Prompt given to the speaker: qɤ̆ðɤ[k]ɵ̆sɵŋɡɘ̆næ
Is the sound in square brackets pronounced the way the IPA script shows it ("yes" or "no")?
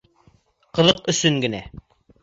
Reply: no